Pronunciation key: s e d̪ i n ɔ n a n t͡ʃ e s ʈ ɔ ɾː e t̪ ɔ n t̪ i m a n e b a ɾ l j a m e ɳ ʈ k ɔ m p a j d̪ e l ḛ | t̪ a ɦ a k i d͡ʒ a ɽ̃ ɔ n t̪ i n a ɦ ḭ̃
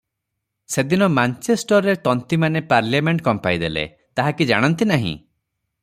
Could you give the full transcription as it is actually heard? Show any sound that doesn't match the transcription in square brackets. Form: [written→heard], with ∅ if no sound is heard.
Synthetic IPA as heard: s e d̪ i n ɔ [n→m] a n t͡ʃ e s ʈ ɔ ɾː e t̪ ɔ n t̪ i m a n e [b→p] a ɾ l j a m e ɳ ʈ k ɔ m p a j d̪ e l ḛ | t̪ a ɦ a k i d͡ʒ a ɽ̃ ɔ n t̪ i n a ɦ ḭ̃